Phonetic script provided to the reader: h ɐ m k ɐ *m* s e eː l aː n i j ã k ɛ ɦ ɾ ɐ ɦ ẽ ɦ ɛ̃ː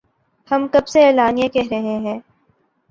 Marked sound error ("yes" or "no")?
yes